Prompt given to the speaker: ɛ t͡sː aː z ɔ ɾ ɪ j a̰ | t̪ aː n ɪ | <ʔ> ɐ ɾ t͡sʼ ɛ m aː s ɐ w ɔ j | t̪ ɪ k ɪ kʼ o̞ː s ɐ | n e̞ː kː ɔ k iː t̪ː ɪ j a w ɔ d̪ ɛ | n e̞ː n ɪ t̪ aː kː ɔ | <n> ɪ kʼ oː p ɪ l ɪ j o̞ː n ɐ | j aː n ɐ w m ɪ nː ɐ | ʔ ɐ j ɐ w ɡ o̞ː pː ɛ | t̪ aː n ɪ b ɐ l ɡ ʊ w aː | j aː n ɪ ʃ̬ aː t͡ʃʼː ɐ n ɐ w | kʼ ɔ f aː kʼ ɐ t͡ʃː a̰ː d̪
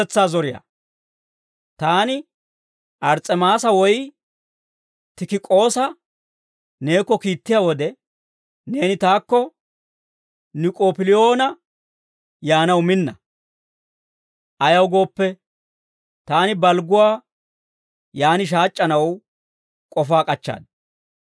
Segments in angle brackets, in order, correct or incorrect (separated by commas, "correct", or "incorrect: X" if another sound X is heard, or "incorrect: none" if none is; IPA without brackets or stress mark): correct, correct